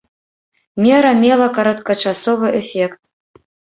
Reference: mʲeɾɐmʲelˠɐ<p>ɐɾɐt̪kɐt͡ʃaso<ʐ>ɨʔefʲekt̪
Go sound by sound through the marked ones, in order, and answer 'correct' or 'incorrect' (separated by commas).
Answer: incorrect, incorrect